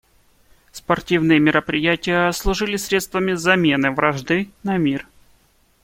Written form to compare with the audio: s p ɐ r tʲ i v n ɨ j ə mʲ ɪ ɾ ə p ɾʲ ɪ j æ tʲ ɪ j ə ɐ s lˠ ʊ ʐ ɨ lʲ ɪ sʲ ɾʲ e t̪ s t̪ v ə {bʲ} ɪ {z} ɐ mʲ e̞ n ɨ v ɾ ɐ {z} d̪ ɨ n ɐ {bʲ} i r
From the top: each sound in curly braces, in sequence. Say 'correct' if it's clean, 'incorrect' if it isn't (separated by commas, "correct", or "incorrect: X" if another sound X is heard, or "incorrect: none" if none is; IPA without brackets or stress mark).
incorrect: mʲ, correct, incorrect: ʐ, incorrect: mʲ